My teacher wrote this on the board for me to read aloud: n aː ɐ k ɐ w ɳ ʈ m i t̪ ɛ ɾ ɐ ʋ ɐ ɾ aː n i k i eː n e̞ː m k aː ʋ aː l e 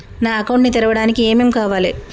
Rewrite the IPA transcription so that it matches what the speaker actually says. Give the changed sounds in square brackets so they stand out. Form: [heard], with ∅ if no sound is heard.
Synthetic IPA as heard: n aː ɐ k ɐ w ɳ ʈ [n] i t̪ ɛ ɾ ɐ ʋ ɐ [ɽ] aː n i k i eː [m] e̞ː m k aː ʋ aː l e